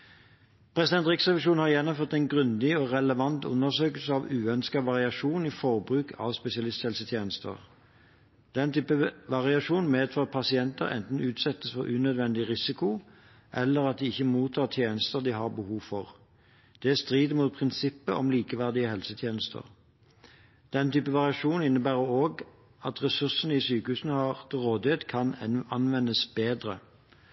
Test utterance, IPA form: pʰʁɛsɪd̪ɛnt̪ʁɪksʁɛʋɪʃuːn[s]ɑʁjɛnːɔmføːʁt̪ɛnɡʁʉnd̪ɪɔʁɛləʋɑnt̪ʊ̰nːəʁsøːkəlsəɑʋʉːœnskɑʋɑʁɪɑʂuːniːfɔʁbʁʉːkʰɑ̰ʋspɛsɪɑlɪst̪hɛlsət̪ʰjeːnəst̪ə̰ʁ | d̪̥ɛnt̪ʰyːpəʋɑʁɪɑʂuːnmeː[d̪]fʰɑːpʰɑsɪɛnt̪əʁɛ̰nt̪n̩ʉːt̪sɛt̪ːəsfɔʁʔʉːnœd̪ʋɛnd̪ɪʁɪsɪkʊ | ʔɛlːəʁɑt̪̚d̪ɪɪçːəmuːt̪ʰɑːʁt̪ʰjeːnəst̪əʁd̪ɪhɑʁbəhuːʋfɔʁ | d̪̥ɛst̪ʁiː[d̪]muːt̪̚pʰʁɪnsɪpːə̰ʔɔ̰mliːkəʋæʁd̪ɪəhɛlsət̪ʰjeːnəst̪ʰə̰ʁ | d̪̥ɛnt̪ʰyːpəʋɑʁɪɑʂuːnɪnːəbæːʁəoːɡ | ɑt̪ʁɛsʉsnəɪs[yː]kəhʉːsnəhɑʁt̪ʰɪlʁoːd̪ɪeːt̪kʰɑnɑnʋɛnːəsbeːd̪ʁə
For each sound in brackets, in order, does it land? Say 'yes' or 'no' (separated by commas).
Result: no, yes, yes, yes